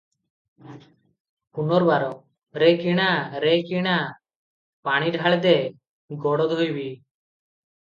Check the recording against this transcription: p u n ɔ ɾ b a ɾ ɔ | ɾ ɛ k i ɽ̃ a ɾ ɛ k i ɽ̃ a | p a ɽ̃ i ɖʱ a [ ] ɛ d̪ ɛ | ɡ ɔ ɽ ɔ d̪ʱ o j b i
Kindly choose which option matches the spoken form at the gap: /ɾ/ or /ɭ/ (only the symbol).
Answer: ɭ